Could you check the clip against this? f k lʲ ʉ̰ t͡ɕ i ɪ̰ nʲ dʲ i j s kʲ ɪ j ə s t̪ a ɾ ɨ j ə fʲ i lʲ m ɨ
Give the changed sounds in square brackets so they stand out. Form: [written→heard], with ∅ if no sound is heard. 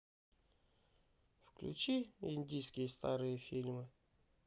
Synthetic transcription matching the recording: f k lʲ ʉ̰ t͡ɕ i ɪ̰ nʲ dʲ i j s kʲ ɪ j ə s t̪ a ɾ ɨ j ə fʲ i lʲ m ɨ